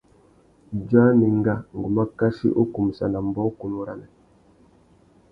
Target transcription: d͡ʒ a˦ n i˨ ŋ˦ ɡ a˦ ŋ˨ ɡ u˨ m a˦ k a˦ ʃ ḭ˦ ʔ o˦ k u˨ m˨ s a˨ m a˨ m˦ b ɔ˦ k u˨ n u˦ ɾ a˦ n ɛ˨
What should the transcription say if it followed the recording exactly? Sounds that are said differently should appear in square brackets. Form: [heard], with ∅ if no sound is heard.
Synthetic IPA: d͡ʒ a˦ n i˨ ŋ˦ ɡ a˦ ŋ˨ ɡ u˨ m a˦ k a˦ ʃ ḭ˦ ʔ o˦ k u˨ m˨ s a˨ [n] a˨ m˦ b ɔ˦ k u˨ n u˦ ɾ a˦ n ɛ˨

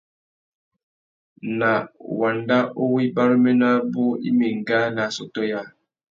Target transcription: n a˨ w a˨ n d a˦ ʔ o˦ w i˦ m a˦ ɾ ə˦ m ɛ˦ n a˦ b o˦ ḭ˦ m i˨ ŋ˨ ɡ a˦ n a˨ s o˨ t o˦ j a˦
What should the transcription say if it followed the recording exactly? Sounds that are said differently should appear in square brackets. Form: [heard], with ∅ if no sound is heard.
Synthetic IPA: n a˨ w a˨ n d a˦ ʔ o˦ w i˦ [b] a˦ ɾ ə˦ m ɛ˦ n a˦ b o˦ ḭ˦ m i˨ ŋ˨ ɡ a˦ n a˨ s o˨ t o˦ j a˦

